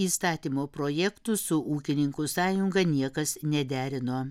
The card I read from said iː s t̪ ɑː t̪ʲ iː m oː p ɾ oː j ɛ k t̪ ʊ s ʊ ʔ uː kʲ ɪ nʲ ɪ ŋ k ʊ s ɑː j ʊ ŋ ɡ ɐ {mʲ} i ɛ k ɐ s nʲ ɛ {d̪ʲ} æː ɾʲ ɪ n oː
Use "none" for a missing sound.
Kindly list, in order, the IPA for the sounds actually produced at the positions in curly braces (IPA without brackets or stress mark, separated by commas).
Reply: nʲ, d̪ʲ